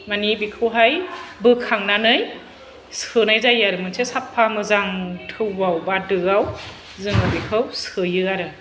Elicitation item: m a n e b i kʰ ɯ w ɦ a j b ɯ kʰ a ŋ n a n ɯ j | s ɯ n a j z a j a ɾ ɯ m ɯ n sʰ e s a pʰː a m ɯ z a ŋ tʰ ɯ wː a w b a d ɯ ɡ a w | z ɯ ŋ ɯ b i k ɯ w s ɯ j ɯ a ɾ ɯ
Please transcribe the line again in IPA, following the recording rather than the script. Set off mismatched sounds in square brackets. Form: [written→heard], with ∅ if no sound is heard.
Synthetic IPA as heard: m a n [e→i] b i kʰ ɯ w ɦ a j b ɯ kʰ a ŋ n a n ɯ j | s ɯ n a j z a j a ɾ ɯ m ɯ n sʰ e s a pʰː a m ɯ z a ŋ tʰ ɯ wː a w b a d ɯ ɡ a w | z ɯ ŋ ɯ b i [k→kʰ] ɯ w s ɯ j ɯ a ɾ ɯ